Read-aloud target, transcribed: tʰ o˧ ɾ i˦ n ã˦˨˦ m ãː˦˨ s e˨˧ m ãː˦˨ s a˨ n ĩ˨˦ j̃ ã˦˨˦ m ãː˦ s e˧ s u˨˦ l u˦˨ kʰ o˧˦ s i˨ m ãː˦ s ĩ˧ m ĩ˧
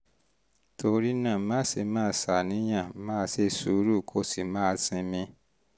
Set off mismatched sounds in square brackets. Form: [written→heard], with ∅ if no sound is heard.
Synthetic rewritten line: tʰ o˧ ɾ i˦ n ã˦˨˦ m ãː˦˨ s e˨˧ m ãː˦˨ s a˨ n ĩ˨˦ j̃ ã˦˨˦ m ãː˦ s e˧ s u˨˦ [l→ɾ] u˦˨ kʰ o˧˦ s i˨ m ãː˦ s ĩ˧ m ĩ˧